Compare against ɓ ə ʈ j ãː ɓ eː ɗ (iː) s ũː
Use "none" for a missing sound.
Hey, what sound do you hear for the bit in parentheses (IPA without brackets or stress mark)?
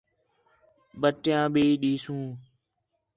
iː